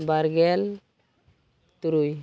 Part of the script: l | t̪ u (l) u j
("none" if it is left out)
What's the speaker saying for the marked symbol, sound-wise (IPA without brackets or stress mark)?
ɾ